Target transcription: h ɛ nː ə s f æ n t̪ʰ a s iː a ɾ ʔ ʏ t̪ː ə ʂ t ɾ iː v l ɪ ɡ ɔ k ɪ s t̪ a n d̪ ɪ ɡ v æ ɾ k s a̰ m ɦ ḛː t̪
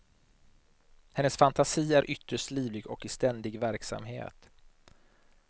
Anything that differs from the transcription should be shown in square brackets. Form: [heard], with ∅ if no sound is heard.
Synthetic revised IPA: h ɛ nː ə s f [a] n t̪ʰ a s iː [æ] ɾ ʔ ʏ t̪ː ə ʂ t [l] iː v l ɪ ɡ ɔ k ɪ s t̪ [ɛ] n d̪ ɪ ɡ v æ ɾ k s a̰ m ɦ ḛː t̪